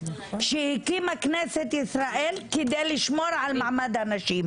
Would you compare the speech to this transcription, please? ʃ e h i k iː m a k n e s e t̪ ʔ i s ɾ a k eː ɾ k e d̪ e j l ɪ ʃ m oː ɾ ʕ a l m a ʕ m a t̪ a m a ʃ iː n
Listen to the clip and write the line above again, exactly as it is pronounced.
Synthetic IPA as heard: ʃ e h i k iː m a k n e s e t̪ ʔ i s ɾ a ʔ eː l k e d̪ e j l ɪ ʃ m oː ɾ ʕ a l m a ʕ m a d̪ a n a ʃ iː m